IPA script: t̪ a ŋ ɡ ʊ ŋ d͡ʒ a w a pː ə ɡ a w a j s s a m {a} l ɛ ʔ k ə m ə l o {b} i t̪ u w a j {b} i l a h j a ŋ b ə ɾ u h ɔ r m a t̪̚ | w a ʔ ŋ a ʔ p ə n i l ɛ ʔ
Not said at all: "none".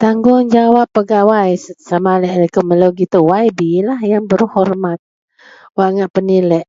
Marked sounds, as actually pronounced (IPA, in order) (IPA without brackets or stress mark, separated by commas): a, ɡ, b